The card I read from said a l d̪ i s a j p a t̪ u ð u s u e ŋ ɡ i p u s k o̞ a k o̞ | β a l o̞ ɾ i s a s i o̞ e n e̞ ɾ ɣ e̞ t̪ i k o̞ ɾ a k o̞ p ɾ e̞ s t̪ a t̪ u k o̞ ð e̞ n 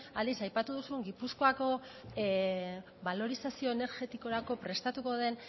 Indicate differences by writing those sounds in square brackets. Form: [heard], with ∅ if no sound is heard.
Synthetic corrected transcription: a l d̪ i s a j p a t̪ u ð u s u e ŋ ɡ i p u s k o̞ a k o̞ | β a l o̞ ɾ i s a s i o̞ e n e̞ ɾ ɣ e̞ t̪ i k o̞ ɾ a k o̞ p ɾ e̞ s t̪ a t̪ u k o̞ ð e̞ n